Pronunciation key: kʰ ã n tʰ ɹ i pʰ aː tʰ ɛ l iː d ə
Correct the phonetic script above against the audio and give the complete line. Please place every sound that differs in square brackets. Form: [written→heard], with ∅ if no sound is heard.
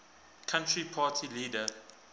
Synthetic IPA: kʰ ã n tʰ ɹ i pʰ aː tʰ [ɛ→i] l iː d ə